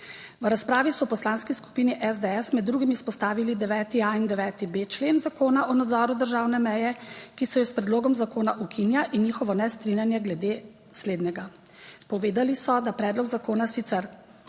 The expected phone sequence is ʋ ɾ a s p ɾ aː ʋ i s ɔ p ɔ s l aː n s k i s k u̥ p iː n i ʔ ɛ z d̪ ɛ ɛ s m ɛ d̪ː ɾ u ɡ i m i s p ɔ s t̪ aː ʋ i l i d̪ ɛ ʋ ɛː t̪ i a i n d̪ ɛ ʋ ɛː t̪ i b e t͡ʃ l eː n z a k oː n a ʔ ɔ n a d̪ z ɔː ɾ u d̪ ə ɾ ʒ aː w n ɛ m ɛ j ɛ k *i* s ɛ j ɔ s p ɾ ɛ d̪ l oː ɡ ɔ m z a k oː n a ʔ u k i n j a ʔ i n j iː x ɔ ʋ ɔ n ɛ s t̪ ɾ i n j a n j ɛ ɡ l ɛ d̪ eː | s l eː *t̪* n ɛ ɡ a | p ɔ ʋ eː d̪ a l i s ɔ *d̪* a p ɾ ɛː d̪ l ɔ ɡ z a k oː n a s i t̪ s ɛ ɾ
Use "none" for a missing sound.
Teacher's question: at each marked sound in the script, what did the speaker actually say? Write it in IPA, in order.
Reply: i, d̪, d̪

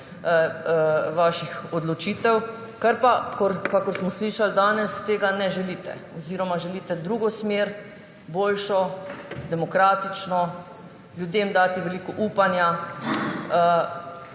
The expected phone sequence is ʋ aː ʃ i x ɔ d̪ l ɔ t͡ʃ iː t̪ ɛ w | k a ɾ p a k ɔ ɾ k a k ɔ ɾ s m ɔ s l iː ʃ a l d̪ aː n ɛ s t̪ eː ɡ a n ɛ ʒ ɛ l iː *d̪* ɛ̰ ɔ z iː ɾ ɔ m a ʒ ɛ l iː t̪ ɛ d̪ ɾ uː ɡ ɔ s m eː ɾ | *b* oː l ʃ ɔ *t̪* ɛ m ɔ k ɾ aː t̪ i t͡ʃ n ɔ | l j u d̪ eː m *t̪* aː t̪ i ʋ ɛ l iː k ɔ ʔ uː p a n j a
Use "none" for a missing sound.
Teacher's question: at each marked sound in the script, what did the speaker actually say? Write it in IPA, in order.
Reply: t̪, b, d̪, d̪

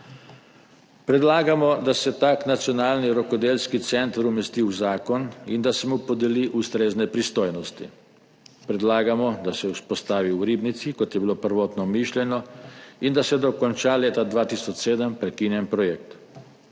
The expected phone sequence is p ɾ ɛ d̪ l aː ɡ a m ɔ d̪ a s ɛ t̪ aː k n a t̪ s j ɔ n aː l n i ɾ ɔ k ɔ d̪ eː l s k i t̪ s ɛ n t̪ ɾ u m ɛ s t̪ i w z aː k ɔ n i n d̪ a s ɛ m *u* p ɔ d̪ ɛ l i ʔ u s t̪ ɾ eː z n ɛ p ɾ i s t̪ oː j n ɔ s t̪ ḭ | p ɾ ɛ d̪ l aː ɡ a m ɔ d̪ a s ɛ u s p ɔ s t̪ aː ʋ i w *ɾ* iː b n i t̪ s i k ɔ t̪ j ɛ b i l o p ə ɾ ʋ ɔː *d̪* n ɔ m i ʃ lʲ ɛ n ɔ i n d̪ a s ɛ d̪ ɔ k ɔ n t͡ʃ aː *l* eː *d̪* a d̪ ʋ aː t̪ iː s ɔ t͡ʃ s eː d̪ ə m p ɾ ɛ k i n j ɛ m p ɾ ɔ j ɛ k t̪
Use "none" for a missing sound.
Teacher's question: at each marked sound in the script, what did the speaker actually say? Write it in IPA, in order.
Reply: u, ɾ, t̪, l, t̪

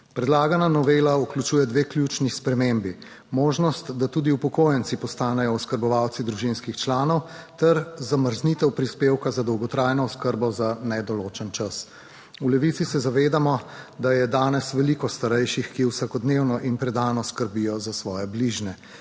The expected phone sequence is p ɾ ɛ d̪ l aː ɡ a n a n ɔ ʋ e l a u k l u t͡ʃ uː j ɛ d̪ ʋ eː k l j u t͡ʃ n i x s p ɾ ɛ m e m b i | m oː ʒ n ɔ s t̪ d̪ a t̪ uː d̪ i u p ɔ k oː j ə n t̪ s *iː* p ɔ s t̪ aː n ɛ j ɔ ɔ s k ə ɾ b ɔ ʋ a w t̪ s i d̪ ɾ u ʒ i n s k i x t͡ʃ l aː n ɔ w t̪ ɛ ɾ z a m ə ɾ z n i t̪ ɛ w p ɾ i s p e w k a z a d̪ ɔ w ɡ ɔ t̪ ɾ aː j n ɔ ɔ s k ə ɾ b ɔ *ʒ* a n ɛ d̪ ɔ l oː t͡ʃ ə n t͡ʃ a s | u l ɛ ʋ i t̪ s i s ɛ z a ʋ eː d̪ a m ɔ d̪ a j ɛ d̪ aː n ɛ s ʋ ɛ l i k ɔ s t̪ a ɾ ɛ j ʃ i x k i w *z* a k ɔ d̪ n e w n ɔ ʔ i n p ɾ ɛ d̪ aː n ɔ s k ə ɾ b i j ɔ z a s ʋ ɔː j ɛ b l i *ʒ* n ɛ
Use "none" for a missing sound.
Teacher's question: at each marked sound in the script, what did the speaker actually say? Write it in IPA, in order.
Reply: i, z, s, ʒ

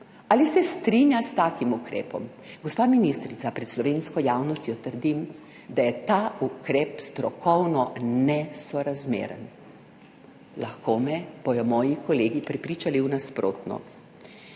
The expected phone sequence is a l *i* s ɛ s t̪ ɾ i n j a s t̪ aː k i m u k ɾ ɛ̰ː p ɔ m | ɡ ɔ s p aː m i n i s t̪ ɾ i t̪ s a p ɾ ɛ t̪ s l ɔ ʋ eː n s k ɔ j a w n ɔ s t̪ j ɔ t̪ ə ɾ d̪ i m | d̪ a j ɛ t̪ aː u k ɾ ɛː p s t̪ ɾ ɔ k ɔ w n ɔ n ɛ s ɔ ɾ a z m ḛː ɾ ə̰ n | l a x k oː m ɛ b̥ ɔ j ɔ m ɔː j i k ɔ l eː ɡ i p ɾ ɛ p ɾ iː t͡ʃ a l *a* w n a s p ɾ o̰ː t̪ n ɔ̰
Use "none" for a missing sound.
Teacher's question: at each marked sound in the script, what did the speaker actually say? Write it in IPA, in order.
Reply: i, i

